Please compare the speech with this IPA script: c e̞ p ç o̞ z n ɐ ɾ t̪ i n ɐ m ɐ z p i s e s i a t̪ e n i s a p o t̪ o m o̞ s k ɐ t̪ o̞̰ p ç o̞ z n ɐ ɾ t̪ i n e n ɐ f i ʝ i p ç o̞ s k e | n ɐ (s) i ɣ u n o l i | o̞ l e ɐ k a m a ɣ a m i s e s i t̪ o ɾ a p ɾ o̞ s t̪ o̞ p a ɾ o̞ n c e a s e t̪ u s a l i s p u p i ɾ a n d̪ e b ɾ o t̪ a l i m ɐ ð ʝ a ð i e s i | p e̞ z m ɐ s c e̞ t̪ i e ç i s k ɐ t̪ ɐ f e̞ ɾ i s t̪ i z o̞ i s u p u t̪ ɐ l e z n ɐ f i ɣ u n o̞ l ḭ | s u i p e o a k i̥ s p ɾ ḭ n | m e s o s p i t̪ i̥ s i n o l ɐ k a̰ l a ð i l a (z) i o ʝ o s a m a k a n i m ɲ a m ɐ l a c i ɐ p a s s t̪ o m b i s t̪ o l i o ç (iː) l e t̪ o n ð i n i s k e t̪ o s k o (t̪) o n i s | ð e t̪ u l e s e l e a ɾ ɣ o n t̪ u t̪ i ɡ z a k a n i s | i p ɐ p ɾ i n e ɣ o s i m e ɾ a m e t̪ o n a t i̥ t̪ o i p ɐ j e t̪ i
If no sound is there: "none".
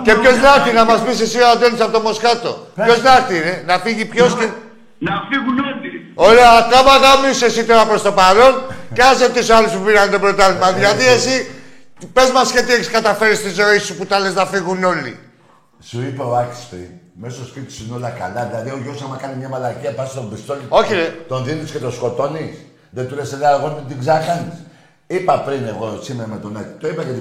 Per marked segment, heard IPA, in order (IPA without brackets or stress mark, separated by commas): f, ð, i, t̪